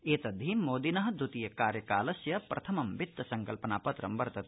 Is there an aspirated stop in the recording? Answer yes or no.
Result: yes